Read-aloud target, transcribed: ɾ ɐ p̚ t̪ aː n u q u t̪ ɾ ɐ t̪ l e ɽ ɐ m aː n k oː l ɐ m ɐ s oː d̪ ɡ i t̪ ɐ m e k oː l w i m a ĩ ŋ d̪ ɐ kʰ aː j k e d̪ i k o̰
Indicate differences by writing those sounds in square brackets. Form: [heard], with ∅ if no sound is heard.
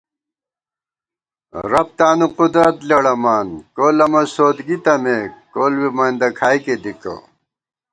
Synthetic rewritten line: ɾ ɐ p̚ t̪ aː n u q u [d̪] ɾ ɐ t̪ l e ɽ ɐ m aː n k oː l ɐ m ɐ s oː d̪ ɡ i t̪ ɐ m e k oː l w i m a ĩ [n] d̪ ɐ kʰ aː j k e d̪ i k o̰